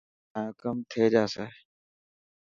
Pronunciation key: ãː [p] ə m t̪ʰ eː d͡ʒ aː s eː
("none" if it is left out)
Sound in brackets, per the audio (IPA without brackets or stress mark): k